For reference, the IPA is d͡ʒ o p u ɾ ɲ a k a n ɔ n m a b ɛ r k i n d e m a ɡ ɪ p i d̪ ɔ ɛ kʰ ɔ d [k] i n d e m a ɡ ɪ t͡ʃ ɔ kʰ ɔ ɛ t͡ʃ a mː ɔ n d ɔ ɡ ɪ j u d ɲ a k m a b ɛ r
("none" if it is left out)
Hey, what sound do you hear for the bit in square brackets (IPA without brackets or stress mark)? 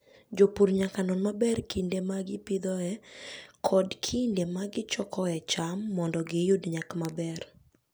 kʰ